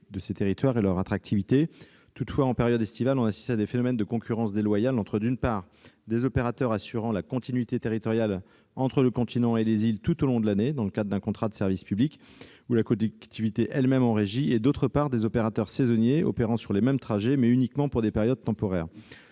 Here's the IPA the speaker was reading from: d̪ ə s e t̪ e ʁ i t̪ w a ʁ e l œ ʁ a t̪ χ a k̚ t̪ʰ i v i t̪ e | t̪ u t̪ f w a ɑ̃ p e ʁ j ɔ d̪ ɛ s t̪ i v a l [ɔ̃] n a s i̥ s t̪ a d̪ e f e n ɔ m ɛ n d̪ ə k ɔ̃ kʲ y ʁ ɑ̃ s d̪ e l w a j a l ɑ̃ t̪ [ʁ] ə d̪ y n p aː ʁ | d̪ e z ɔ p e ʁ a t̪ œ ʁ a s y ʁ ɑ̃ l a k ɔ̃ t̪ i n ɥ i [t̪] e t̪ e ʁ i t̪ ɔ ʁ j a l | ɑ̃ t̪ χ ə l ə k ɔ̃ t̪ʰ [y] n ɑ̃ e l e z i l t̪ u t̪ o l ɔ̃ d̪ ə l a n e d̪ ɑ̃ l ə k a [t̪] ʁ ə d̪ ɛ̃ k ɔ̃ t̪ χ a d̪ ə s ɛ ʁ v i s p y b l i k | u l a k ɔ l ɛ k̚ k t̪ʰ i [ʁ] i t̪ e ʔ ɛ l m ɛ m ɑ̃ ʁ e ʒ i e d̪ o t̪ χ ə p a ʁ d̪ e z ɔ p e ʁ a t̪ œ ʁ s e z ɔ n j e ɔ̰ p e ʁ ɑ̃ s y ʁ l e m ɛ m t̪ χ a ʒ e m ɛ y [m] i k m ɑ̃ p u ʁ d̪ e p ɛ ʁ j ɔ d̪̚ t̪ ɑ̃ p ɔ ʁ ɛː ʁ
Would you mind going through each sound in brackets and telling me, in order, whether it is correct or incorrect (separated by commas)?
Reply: correct, incorrect, correct, incorrect, incorrect, incorrect, incorrect